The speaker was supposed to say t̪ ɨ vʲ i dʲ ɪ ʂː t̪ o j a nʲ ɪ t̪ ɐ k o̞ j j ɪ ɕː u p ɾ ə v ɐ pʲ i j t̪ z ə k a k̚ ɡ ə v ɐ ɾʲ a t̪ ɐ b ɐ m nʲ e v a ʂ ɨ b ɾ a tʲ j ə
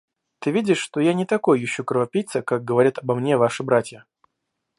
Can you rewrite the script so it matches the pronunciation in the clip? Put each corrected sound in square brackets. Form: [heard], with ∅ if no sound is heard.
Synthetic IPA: t̪ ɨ vʲ i dʲ ɪ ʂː t̪ o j a nʲ ɪ t̪ ɐ k o̞ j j ɪ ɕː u [k] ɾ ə v ɐ pʲ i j t̪ [s] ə k a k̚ ɡ ə v ɐ ɾʲ a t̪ ɐ b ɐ m nʲ e v a ʂ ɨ b ɾ a tʲ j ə